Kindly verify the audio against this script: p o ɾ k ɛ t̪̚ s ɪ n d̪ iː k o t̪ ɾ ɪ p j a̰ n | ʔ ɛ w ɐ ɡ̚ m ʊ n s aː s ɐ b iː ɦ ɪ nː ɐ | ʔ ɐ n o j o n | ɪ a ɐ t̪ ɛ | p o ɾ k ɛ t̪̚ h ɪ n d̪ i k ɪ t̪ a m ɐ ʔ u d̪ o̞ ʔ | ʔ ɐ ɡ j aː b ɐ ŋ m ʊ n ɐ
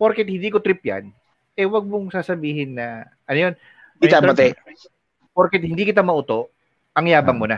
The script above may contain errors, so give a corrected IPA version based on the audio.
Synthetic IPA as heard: p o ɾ k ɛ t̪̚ h ɪ n d̪ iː k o t̪ ɾ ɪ p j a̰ n | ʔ ɛ w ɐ ɡ̚ m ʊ ŋ s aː s ɐ b iː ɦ ɪ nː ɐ | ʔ ɐ n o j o n | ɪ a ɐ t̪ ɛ | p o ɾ k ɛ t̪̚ h ɪ n d̪ i k ɪ t̪ a m ɐ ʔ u t̪ o̞ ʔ | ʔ ɐ ŋ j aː b ɐ ŋ m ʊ n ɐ